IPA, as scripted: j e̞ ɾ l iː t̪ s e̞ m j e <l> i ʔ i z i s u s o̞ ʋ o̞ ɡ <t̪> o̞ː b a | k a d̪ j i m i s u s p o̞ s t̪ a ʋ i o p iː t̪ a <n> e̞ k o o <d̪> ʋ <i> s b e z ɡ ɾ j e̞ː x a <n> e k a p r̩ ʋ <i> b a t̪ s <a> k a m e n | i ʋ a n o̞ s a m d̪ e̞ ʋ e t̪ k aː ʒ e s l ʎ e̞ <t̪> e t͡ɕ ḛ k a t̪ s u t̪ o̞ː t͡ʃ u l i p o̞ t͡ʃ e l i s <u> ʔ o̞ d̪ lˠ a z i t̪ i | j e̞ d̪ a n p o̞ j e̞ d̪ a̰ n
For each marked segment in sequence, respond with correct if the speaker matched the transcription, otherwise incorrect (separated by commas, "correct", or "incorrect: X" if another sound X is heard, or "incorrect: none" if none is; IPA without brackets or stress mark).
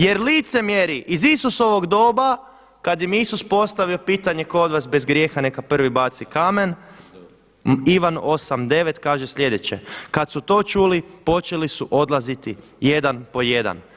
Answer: incorrect: ɾ, incorrect: d̪, incorrect: ɲ, correct, incorrect: a, correct, correct, incorrect: i, incorrect: d̪, correct